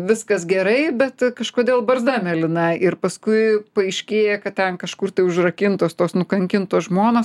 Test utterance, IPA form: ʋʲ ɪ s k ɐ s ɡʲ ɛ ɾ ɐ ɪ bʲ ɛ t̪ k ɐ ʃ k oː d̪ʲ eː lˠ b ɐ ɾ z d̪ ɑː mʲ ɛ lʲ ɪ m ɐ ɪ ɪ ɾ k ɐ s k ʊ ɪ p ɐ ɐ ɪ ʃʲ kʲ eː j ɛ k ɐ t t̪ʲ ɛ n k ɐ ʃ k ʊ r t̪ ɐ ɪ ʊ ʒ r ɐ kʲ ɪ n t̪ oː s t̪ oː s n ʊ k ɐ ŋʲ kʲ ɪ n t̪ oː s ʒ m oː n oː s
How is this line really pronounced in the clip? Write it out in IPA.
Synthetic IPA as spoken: ʋʲ ɪ s k ɐ s ɡʲ ɛ ɾ ɐ ɪ bʲ ɛ t̪ k ɐ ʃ k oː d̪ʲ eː lˠ b ɐ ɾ z d̪ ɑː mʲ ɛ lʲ ɪ n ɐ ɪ ɪ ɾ p ɐ s k ʊ ɪ p ɐ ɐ ɪ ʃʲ kʲ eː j ɛ k ɐ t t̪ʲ ɛ n k ɐ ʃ k ʊ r t̪ ɐ ɪ ʊ ʒ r ɐ kʲ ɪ n t̪ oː s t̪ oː s n ʊ k ɐ ŋʲ kʲ ɪ n t̪ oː s ʒ m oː n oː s